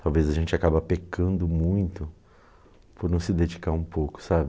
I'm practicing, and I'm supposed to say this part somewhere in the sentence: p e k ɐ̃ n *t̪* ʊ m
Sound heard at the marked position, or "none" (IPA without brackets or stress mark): d̪